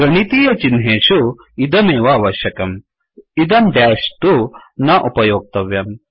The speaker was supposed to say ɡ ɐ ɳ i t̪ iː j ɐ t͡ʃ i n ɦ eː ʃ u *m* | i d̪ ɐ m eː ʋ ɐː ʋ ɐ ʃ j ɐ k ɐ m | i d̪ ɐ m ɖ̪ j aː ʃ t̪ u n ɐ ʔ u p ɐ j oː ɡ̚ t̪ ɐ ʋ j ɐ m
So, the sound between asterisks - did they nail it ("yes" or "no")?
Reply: no